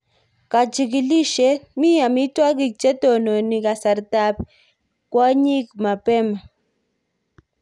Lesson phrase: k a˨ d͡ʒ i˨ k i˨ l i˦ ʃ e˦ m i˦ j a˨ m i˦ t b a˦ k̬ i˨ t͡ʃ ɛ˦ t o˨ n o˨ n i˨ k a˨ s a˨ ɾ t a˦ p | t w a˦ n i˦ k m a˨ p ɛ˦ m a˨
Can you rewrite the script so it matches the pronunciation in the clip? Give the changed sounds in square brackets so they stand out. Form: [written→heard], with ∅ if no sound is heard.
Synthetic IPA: k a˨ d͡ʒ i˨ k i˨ l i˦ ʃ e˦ m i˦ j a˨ m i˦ t [b→w] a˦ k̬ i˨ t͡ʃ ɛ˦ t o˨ n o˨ n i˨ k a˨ s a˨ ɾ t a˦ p | [t→k] w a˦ [n→ɲ] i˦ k m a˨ p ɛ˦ m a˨